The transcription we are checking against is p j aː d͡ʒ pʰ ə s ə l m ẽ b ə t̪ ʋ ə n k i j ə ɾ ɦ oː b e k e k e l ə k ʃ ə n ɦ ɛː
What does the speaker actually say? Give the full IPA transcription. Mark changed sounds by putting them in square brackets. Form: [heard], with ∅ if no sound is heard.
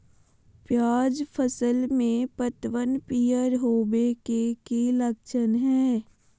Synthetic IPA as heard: p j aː d͡ʒ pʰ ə s ə l m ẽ [p] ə t̪ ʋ ə n [p] i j ə ɾ ɦ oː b e k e k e l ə k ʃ ə n ɦ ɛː